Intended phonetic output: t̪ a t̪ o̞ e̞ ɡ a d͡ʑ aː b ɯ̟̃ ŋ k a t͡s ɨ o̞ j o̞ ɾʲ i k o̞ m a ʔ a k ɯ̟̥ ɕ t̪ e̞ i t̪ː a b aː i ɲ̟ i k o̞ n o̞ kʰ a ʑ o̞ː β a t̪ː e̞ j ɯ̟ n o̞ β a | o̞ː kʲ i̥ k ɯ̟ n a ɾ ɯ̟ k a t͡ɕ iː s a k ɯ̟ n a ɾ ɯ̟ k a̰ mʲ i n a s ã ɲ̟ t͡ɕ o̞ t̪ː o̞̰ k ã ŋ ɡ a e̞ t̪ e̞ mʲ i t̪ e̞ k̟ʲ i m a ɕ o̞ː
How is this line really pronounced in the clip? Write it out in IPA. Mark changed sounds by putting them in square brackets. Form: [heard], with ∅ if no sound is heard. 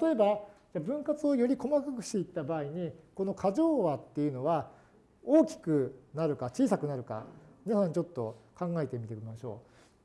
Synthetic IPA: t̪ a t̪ o̞ e̞ [b] a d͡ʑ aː b ɯ̟̃ ŋ k a t͡s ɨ o̞ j o̞ ɾʲ i k o̞ m a [k] a k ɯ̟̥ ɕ t̪ e̞ i t̪ː a b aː i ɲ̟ i k o̞ n o̞ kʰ a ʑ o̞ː β a t̪ː e̞ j ɯ̟ n o̞ β a | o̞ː kʲ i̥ k ɯ̟ n a ɾ ɯ̟ k a t͡ɕ iː s a k ɯ̟ n a ɾ ɯ̟ k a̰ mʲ i n a s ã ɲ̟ t͡ɕ o̞ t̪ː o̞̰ k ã ŋ ɡ a e̞ t̪ e̞ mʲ i t̪ e̞ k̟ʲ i m a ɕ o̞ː